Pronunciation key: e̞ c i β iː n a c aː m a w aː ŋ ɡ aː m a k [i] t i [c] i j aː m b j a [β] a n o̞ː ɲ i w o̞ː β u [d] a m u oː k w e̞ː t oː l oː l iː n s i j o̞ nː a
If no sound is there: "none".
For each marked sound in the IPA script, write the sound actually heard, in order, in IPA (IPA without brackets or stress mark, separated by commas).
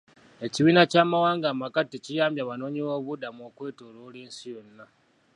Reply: a, c, β, d